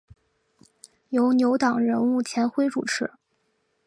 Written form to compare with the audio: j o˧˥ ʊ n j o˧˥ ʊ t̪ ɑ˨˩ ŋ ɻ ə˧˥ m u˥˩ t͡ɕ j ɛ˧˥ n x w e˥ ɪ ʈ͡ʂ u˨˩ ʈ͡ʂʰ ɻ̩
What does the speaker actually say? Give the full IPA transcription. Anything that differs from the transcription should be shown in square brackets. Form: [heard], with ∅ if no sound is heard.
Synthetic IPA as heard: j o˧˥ ʊ n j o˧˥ ʊ t̪ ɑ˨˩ ŋ ɻ ə˧˥ [n] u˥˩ [t͡ɕʰ] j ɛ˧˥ n x w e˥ ɪ ʈ͡ʂ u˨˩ ʈ͡ʂʰ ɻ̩